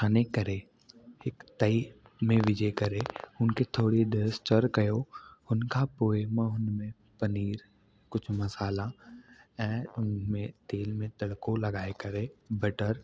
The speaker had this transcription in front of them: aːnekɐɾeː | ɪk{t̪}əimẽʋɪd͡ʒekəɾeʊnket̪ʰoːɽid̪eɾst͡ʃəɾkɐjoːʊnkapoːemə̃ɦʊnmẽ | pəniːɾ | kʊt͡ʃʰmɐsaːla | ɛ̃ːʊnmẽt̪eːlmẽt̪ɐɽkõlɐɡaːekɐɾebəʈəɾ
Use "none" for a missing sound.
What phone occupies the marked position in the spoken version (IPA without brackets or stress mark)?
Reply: t̪